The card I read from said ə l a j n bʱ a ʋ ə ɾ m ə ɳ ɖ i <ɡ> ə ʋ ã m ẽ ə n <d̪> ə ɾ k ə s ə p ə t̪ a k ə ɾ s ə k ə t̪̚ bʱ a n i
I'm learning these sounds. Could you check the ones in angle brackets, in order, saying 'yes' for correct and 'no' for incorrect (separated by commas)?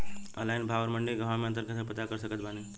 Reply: yes, no